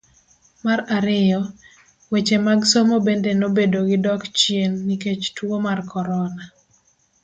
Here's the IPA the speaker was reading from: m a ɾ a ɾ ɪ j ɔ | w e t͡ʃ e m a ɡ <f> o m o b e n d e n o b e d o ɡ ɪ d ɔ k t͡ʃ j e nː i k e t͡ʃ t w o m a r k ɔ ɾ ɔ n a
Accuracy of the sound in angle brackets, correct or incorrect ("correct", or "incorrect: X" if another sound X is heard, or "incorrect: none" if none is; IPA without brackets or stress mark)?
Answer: incorrect: s